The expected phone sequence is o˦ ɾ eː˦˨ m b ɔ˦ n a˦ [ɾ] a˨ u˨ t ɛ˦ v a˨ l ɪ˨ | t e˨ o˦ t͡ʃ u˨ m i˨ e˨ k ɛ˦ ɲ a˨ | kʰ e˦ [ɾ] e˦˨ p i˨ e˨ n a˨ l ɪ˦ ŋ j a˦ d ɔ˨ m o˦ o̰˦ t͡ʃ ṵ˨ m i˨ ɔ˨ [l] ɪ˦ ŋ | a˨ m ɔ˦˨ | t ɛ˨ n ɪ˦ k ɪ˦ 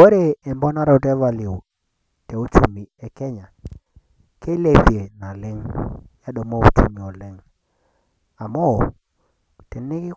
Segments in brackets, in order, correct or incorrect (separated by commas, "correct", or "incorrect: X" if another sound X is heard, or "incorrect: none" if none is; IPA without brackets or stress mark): correct, incorrect: l, correct